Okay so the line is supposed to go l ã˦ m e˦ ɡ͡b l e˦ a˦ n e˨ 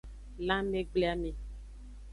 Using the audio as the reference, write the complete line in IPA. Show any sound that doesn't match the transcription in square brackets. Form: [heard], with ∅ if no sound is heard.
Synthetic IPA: l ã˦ m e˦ ɡ͡b l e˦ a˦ [m] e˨